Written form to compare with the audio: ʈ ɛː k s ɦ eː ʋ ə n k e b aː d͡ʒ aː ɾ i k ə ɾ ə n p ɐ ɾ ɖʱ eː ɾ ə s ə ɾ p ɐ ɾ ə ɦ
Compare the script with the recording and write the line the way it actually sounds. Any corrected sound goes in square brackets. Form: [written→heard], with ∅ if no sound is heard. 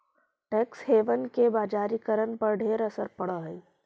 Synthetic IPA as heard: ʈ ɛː k s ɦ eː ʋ ə n k e b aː d͡ʒ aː ɾ i k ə ɾ ə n p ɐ ɾ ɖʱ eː ɾ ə s ə ɾ p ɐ [ɾ→ɽ] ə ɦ